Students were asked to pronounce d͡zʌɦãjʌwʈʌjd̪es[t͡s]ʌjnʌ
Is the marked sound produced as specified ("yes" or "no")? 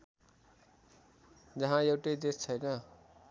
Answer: no